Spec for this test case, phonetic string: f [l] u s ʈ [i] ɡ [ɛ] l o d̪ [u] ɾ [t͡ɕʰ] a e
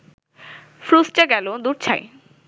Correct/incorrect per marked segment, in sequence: incorrect, incorrect, correct, correct, correct

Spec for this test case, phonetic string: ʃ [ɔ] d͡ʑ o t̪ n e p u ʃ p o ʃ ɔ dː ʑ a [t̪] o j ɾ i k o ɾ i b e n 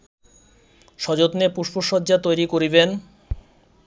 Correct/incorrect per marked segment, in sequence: correct, correct

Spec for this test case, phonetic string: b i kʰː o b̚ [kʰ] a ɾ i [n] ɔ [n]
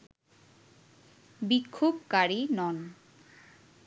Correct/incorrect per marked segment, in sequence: incorrect, correct, correct

